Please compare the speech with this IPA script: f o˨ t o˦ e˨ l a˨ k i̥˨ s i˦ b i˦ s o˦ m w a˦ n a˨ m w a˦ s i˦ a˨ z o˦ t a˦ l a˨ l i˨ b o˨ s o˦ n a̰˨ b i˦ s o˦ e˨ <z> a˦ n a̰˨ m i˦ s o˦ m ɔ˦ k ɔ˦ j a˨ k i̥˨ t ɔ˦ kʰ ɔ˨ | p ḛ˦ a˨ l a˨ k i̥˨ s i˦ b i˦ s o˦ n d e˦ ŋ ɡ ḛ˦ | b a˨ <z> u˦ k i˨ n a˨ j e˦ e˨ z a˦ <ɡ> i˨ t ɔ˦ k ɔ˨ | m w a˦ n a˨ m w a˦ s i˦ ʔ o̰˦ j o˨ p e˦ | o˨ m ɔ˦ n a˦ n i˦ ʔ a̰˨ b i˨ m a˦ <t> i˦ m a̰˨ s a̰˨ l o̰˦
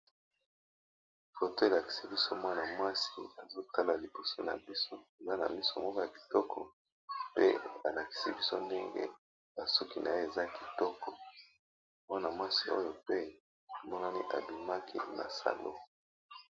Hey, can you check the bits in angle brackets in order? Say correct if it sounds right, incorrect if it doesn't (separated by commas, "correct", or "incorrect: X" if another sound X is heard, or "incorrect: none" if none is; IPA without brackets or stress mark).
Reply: correct, incorrect: s, incorrect: k, incorrect: k